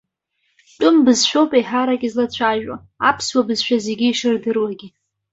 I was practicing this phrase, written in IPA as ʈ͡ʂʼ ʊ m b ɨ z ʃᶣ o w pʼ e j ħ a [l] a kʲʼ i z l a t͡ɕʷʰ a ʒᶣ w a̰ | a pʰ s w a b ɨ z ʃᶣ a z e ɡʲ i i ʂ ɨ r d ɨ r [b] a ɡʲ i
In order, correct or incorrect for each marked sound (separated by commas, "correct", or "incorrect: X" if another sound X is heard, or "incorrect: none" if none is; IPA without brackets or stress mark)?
incorrect: ɾ, incorrect: w